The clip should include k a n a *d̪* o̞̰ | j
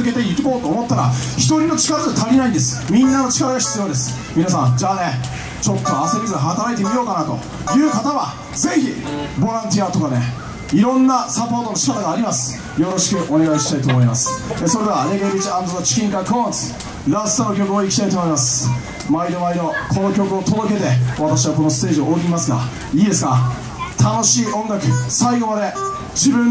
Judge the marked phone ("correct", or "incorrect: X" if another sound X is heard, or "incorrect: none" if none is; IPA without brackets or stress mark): incorrect: t̪